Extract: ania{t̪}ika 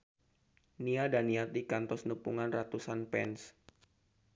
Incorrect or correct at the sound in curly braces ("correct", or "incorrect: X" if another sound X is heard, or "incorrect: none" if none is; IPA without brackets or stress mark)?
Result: correct